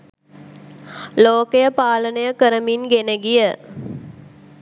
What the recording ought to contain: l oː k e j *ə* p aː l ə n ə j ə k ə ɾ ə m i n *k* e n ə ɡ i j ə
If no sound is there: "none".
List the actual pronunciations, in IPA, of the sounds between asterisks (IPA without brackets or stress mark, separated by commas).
ə, ɡ